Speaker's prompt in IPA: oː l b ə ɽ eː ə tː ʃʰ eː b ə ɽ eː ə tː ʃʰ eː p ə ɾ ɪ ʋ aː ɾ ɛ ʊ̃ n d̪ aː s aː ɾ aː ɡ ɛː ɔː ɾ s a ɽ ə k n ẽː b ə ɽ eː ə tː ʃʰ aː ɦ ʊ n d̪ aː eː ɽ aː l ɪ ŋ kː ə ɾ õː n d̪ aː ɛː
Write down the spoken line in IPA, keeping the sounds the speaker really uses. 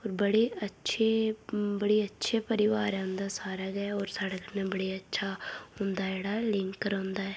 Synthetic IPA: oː ɾ b ə ɽ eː ə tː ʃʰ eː b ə ɽ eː ə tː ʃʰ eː p ə ɾ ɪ ʋ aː ɾ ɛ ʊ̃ n d̪ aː s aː ɾ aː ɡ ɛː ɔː ɾ s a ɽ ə k n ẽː b ə ɽ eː ə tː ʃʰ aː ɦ ʊ n d̪ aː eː ɽ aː l ɪ ŋ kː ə ɾ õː n d̪ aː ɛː